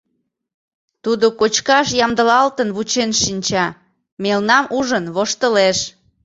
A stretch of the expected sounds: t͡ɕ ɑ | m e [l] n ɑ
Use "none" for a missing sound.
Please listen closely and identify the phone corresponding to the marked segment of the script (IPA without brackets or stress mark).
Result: l